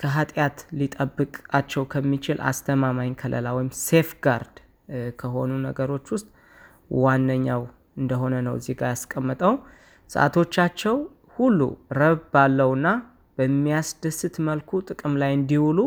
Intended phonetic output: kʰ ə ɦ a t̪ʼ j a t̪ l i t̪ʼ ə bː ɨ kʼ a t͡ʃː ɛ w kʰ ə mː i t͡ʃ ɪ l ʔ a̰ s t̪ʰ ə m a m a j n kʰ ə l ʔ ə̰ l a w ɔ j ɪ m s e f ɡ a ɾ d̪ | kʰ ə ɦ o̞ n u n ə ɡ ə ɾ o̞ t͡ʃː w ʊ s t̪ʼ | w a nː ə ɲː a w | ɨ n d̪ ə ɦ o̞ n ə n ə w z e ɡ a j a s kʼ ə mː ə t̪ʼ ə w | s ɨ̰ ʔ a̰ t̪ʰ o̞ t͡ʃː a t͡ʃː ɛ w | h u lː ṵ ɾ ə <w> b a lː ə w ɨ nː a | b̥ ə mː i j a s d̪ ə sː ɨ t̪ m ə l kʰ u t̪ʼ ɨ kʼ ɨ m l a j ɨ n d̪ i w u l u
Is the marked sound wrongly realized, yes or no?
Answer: yes